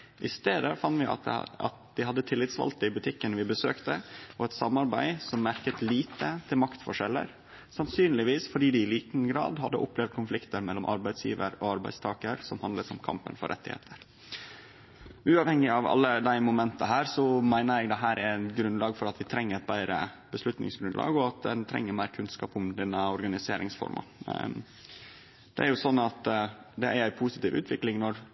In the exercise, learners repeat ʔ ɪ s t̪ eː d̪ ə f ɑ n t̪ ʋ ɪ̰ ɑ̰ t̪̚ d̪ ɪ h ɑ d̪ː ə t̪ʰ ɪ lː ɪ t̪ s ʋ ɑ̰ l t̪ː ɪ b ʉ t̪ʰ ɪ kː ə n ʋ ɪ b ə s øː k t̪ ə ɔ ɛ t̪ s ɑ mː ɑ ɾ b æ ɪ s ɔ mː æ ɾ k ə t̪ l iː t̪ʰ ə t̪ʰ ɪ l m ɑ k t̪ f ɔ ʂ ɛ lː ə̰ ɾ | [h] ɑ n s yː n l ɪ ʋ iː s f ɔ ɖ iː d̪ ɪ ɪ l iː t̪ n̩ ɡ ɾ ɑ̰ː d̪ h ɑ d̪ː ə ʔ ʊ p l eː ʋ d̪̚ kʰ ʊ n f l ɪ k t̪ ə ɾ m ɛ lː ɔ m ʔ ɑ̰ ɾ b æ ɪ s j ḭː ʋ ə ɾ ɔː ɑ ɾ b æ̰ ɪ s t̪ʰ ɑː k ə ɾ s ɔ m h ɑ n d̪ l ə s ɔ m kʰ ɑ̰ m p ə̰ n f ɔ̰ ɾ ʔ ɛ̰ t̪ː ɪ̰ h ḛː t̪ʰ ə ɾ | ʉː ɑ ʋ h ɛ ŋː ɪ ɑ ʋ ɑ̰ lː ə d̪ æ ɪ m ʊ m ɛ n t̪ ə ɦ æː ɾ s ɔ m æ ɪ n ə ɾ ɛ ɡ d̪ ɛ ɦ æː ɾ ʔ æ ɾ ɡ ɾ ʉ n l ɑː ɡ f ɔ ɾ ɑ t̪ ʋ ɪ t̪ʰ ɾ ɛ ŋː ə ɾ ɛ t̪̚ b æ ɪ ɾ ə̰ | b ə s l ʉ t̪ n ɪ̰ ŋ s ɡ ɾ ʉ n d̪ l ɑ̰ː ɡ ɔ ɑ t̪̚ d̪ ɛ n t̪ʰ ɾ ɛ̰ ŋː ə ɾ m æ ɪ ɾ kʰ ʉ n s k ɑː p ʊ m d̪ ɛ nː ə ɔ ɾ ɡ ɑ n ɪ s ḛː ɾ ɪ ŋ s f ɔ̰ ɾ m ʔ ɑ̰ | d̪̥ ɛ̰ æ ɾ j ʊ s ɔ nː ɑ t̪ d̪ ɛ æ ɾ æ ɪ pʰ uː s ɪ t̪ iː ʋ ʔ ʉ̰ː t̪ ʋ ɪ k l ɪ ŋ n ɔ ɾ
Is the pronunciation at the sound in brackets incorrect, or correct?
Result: incorrect